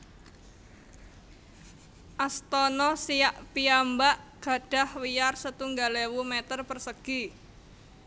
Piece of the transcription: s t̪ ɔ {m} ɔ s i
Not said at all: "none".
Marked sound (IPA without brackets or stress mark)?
n